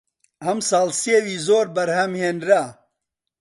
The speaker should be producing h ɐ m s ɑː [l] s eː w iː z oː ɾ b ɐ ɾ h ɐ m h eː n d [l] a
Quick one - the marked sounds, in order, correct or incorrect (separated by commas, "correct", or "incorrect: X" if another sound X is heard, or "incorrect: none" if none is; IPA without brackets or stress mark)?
correct, incorrect: ɾ